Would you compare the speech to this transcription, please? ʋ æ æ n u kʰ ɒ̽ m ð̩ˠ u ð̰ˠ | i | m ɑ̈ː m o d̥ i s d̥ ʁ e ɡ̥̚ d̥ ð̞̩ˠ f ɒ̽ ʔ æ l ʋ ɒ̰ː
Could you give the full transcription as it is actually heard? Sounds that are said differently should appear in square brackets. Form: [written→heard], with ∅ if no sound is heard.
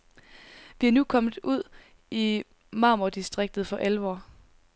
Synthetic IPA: ʋ [æ→i] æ n u kʰ ɒ̽ m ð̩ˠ u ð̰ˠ | i | m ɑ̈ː m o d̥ i s d̥ ʁ e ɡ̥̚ d̥ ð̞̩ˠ f ɒ̽ ʔ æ l ʋ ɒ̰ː